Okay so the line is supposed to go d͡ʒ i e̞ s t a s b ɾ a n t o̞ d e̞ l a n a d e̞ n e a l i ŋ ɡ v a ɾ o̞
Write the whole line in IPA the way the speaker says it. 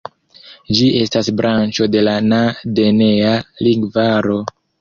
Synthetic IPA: d͡ʒ i e̞ s t a s b ɾ a n t͡ʃ o̞ d e̞ l a n a d e̞ n e a l i ŋ ɡ v a ɾ o̞